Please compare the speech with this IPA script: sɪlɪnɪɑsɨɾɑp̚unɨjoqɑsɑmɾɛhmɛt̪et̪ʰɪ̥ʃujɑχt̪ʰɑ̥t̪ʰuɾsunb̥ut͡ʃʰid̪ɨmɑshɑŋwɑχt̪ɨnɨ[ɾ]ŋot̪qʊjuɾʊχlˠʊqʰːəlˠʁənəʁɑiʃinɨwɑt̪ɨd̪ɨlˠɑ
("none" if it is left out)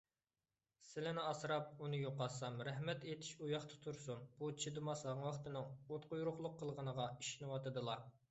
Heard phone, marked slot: none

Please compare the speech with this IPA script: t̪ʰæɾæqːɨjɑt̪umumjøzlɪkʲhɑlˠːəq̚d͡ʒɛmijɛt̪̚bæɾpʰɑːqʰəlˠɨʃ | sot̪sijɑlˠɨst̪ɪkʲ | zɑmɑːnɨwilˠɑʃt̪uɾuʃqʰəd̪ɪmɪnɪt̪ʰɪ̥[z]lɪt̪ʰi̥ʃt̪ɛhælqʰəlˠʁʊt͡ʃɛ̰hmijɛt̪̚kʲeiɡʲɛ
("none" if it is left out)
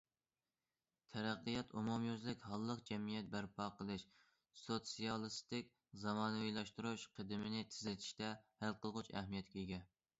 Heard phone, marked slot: z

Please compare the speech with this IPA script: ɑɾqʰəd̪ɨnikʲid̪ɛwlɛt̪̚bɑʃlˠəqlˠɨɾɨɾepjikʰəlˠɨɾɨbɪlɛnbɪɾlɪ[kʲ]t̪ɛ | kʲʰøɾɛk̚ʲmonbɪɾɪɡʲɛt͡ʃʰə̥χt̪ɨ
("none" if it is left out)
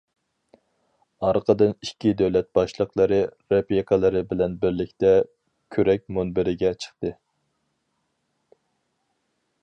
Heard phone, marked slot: kʲ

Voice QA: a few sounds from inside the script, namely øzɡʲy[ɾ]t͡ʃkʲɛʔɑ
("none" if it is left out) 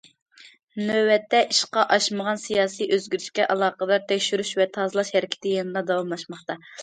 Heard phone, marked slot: ɾ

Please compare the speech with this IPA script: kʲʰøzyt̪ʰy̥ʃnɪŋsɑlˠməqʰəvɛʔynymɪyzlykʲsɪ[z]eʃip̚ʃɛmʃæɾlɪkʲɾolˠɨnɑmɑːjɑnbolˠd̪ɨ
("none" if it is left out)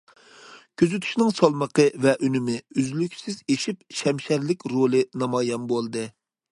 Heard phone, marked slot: z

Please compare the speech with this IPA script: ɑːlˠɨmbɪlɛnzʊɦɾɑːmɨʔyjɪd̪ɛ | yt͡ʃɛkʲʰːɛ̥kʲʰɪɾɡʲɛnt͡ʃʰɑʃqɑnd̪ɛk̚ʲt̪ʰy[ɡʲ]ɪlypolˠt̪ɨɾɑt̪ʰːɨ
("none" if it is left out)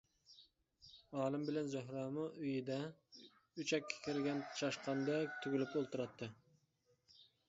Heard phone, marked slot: ɡʲ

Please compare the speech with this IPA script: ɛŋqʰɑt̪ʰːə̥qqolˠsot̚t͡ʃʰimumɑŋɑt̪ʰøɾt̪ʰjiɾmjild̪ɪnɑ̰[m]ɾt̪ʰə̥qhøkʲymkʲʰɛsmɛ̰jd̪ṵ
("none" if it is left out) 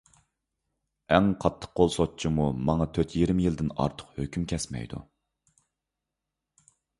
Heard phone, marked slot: none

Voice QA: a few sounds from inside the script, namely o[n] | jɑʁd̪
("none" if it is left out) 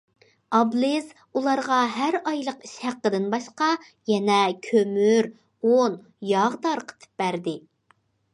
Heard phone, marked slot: n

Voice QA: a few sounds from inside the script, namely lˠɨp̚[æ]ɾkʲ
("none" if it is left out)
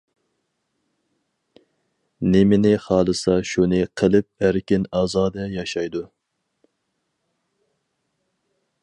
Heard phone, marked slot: æ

